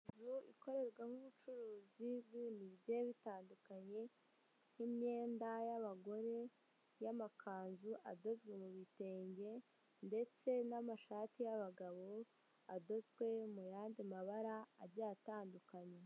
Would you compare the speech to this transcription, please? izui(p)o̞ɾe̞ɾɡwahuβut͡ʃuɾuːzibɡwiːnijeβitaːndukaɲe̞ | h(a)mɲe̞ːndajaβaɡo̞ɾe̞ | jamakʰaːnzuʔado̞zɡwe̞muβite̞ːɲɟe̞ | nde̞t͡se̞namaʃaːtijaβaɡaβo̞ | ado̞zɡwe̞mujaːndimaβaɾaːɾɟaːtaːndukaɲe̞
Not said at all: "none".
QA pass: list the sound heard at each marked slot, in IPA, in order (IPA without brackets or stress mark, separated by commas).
k, i